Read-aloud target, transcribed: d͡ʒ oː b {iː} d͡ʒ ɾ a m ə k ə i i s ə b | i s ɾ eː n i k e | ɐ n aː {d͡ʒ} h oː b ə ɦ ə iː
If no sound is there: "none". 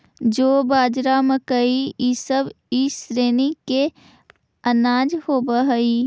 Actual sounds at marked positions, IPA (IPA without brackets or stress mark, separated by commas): aː, d͡ʒ